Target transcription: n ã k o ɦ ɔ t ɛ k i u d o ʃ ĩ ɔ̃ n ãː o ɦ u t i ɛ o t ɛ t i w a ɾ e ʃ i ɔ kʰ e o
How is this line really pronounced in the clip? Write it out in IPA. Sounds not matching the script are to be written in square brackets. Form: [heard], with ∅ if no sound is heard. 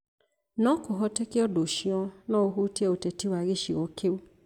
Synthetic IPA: n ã k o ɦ ɔ t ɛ k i [ɔ] d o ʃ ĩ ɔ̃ n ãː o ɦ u t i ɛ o t ɛ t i w a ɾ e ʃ i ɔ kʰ e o